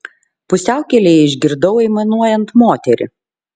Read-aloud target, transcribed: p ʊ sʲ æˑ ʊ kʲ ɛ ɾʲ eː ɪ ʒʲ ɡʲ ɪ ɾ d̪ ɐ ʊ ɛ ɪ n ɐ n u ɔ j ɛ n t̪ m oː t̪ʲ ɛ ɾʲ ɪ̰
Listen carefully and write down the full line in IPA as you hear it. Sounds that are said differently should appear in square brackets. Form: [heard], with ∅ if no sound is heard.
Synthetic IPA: p ʊ sʲ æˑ ʊ kʲ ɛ [lʲ] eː ɪ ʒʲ ɡʲ ɪ ɾ d̪ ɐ ʊ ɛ ɪ [m] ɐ n u ɔ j ɛ n t̪ m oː t̪ʲ ɛ ɾʲ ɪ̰